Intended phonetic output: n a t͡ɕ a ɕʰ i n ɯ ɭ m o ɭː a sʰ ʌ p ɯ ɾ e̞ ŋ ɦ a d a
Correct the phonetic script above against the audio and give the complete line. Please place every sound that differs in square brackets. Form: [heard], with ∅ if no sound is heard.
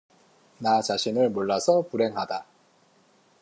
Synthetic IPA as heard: n a t͡ɕ a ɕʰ i n ɯ ɭ m o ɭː a sʰ ʌ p [u] ɾ e̞ ŋ ɦ a d a